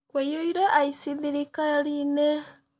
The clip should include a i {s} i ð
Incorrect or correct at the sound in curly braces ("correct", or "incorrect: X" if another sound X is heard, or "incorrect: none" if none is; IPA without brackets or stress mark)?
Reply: correct